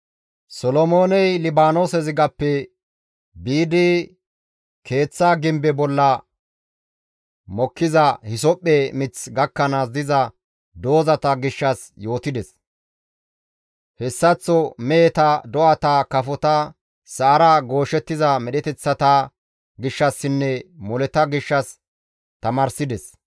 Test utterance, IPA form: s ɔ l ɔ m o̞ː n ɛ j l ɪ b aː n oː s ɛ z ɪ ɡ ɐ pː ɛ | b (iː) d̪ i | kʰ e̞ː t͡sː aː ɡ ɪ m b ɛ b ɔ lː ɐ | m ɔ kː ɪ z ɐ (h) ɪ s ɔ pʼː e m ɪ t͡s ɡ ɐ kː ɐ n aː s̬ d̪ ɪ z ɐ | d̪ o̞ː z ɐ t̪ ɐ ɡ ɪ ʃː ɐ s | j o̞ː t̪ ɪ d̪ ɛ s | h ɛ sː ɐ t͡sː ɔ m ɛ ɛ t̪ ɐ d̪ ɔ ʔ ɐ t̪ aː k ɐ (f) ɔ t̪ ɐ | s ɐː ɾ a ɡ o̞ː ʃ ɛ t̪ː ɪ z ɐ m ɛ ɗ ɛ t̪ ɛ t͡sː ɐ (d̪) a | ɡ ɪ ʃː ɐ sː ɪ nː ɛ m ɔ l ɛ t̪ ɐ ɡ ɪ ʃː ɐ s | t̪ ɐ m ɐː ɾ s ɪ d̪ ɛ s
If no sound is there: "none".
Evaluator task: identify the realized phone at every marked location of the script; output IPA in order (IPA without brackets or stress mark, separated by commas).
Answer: iː, h, f, t̪